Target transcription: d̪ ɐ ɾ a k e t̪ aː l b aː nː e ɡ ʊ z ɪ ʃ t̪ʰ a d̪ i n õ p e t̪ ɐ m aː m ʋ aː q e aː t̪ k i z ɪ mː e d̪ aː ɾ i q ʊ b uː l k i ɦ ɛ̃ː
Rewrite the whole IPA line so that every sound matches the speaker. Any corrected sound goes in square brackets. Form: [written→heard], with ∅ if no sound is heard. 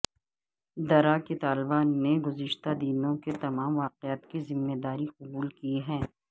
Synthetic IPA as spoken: d̪ ɐ ɾ a k e t̪ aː l b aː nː e ɡ ʊ z ɪ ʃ [t̪ʰ→t̪] a d̪ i n õ [p→k] e t̪ ɐ m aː m ʋ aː q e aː t̪ k i z ɪ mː e d̪ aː ɾ i q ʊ b uː l k i ɦ ɛ̃ː